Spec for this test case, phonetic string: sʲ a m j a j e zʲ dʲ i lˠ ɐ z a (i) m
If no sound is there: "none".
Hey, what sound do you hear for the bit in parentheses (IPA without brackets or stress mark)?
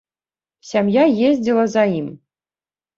i